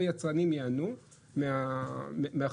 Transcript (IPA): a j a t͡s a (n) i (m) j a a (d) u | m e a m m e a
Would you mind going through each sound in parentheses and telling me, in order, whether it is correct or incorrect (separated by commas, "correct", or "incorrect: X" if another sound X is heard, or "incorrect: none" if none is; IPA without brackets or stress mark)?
correct, correct, incorrect: n